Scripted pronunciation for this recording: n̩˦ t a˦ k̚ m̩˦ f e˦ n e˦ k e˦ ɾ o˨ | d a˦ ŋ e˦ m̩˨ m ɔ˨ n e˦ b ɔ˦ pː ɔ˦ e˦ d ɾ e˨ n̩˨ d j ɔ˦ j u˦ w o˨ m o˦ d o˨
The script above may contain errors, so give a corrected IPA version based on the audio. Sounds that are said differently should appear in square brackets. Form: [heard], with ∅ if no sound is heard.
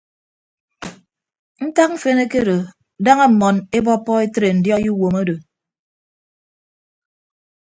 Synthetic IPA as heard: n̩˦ t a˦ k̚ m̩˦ f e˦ n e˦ k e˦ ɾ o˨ | d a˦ ŋ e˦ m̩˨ m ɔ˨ n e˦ b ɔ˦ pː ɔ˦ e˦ [t] ɾ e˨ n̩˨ d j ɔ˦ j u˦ w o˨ m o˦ d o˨

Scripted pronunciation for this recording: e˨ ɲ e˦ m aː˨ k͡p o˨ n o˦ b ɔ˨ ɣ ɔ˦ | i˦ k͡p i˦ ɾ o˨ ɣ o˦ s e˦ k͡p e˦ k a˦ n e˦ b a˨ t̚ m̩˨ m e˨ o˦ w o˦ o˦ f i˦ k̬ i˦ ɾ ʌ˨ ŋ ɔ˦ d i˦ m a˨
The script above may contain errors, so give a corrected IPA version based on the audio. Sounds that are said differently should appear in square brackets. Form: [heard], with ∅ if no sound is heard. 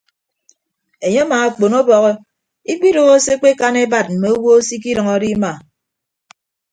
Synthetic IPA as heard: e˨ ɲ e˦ m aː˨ k͡p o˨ n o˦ b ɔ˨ ɣ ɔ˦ | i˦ k͡p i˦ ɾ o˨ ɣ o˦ s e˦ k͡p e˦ k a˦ n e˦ b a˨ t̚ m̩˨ m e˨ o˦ w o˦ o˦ [s] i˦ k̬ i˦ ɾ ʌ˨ ŋ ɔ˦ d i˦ m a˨

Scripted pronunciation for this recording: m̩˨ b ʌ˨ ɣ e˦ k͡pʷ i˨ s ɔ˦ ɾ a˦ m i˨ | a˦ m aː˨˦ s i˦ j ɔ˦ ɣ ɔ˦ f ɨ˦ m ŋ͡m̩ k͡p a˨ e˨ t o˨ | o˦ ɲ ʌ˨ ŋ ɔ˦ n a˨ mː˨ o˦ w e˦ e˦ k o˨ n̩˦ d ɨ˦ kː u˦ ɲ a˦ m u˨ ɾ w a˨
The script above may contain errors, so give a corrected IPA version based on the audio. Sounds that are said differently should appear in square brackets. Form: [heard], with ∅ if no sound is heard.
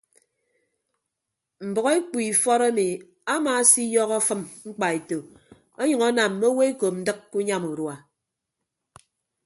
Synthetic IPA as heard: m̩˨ b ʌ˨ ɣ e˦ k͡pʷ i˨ [f] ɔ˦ ɾ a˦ m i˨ | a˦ m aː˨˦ s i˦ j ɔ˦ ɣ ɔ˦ f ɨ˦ m ŋ͡m̩ k͡p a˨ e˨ t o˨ | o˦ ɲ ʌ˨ ŋ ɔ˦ n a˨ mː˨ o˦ w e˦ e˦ k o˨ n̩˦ d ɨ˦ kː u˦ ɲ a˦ m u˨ ɾ w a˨

